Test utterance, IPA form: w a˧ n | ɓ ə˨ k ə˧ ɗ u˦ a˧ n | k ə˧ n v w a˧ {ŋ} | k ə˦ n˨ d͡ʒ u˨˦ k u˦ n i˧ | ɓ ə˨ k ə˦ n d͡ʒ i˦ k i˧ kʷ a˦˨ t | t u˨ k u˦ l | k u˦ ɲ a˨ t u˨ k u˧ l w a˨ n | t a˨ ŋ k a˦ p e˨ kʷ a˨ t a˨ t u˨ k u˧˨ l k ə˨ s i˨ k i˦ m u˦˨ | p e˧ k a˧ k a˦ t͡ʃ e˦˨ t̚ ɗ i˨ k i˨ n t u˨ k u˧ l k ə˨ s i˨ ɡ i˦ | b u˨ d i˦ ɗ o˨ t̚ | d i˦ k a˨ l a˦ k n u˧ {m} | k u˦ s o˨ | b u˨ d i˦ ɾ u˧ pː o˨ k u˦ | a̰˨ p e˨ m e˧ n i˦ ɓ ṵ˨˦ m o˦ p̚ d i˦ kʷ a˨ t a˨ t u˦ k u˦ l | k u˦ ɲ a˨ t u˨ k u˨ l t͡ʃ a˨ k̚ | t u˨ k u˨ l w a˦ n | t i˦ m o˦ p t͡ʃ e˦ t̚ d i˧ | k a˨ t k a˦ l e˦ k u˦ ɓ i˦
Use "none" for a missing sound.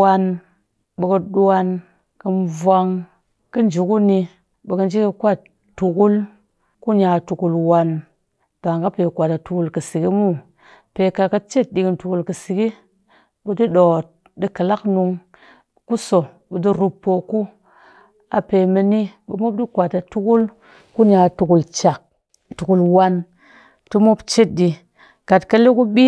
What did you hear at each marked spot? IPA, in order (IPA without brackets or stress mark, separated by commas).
ŋ, ŋ